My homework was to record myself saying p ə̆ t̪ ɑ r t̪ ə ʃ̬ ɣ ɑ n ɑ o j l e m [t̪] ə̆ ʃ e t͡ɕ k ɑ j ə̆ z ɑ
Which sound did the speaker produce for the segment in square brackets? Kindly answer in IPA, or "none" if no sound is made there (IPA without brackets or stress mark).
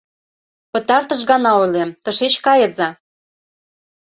t̪